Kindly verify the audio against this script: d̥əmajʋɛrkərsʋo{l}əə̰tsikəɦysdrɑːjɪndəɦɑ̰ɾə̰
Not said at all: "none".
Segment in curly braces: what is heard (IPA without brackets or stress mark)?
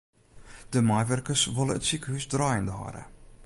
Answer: l